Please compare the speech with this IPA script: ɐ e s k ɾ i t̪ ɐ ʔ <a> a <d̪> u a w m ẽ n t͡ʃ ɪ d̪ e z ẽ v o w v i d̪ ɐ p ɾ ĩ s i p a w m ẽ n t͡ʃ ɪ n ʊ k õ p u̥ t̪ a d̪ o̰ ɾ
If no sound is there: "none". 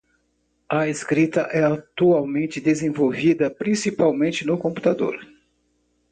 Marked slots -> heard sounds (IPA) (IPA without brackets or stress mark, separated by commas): ɛ, t̪